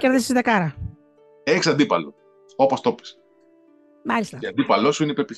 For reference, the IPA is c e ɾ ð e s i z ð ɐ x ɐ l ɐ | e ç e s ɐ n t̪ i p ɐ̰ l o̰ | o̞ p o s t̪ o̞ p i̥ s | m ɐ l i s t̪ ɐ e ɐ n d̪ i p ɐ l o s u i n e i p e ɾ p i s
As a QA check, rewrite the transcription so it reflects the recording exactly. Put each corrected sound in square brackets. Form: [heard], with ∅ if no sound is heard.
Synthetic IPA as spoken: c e ɾ ð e s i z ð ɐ [k] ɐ [ɾ] ɐ | e ç [i] s ɐ n [d̪] i p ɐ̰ l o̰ | o̞ p o s t̪ o̞ p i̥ s | m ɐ l i s t̪ ɐ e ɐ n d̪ i p ɐ l o s u i n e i p e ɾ p i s